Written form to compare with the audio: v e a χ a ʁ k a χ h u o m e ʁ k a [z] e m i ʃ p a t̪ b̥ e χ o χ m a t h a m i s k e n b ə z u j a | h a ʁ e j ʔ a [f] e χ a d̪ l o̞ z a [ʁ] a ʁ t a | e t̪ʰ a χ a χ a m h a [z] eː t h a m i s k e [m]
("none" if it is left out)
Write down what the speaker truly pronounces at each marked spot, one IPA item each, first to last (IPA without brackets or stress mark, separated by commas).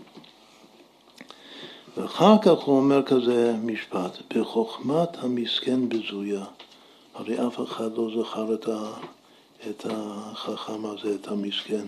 z, f, χ, z, n